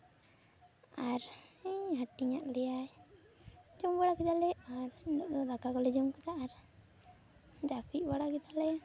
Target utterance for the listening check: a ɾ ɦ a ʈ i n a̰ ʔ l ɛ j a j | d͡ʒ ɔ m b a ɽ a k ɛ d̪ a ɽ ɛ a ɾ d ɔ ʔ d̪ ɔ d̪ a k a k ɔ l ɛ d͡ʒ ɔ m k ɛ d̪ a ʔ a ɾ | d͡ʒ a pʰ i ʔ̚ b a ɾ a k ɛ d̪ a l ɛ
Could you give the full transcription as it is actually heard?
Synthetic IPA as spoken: a ɾ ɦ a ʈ i ɲ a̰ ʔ l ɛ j a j | d͡ʒ ɔ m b a ɽ a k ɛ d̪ a l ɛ a ɾ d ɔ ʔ d̪ ɔ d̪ a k a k ɔ l ɛ d͡ʒ ɔ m k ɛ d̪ a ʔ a ɾ | d͡ʒ a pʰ i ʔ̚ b a ɽ a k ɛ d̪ a l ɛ